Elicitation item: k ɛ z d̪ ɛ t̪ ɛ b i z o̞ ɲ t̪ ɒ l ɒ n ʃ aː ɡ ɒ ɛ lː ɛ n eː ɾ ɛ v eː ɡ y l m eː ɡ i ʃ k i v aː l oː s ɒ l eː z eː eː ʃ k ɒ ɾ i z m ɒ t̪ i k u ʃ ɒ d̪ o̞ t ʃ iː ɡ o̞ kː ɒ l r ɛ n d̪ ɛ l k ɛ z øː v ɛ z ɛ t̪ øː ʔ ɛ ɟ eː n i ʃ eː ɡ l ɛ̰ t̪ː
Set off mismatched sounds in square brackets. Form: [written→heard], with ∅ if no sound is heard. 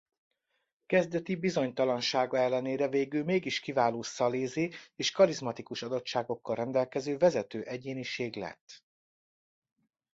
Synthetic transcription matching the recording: k ɛ z d̪ ɛ t̪ [ɛ→i] b i z o̞ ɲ t̪ ɒ l ɒ n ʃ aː ɡ ɒ ɛ lː ɛ n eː ɾ ɛ v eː ɡ y l m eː ɡ i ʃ k i v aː l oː s ɒ l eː z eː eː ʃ k ɒ ɾ i z m ɒ t̪ i k u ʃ ɒ d̪ o̞ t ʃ [iː→aː] ɡ o̞ kː ɒ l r ɛ n d̪ ɛ l k ɛ z øː v ɛ z ɛ t̪ øː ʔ ɛ ɟ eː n i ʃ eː ɡ l ɛ̰ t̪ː